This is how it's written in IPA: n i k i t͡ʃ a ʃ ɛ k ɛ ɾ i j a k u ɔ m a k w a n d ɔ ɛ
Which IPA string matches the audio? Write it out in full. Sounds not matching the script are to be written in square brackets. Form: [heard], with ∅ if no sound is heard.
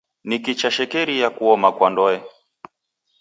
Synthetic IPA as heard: n i k i t͡ʃ a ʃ ɛ k ɛ ɾ i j a k u ɔ m a k w a n d ɔ ɛ